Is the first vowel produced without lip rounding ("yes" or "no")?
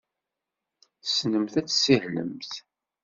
yes